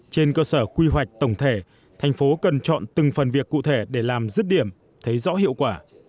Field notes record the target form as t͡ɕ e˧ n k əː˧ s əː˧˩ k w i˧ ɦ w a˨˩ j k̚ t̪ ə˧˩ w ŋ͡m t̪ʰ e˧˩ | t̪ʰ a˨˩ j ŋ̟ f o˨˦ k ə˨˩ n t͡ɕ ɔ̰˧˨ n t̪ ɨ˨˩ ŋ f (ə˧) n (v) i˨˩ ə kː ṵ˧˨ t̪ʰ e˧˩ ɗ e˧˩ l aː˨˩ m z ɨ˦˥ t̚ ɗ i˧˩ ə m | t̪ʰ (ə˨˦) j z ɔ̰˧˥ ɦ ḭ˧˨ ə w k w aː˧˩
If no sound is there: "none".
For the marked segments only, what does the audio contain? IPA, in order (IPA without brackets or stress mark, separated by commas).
ə˨˩, v, ə˨˦